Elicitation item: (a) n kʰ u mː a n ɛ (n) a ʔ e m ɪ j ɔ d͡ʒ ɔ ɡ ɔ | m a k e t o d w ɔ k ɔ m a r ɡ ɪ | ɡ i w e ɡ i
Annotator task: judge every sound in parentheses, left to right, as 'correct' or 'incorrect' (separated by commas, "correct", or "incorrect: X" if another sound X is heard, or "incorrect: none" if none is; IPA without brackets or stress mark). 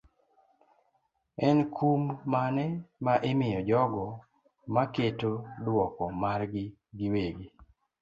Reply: incorrect: ɛ, incorrect: m